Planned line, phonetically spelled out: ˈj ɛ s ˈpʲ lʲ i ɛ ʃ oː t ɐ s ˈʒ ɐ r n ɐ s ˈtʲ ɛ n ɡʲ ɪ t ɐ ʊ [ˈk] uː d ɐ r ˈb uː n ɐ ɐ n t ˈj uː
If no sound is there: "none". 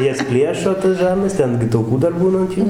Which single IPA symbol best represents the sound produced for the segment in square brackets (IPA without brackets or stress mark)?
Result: k